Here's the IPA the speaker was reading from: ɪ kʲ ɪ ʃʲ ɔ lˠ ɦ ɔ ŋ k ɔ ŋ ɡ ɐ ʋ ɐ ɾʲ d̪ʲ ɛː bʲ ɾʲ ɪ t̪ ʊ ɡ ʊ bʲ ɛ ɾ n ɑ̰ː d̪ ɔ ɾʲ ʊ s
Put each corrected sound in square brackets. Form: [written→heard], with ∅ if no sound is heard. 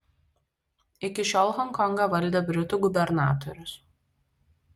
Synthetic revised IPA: ɪ kʲ ɪ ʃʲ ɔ lˠ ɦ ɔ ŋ k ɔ ŋ ɡ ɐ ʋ ɐ [ɾʲ→lʲ] d̪ʲ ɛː bʲ ɾʲ ɪ t̪ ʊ ɡ ʊ bʲ ɛ ɾ n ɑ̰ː [d̪→t̪] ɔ ɾʲ ʊ s